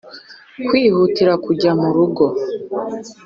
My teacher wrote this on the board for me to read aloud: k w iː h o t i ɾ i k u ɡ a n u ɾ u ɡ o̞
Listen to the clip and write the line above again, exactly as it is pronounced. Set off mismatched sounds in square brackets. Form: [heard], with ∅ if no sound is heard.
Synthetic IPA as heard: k w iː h [u] t i ɾ [a] k u [ɟ] a [m] u ɾ u ɡ o̞